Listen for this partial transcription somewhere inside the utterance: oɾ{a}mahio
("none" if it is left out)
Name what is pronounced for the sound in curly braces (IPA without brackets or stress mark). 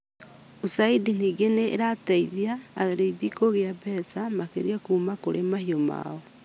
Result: e